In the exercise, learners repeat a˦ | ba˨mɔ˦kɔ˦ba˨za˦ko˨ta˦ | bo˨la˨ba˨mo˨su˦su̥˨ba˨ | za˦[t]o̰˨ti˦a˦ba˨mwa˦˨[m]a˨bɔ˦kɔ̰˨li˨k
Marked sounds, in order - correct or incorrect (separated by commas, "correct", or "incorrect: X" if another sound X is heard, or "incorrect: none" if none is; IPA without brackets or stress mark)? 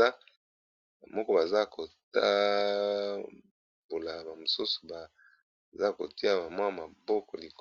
incorrect: k, correct